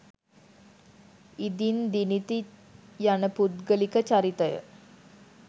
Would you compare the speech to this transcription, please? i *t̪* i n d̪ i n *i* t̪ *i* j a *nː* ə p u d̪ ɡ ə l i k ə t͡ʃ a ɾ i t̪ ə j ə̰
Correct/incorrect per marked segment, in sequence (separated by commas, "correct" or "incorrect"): incorrect, correct, correct, incorrect